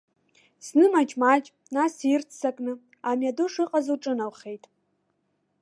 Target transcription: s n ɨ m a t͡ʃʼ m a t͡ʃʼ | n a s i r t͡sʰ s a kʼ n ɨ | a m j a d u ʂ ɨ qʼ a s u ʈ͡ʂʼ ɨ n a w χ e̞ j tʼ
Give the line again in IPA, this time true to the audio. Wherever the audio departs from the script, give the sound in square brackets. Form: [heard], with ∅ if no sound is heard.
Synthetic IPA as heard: s n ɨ m a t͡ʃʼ m a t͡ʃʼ | n a s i r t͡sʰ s a kʼ n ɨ | a m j a d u ʂ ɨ qʼ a [z] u ʈ͡ʂʼ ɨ n a w χ e̞ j tʼ